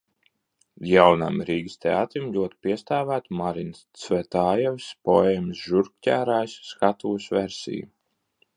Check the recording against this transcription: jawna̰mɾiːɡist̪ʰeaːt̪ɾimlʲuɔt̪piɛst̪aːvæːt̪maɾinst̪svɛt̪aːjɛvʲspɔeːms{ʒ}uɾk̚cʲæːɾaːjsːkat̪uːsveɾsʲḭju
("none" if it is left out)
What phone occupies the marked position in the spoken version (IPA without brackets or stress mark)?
ʒ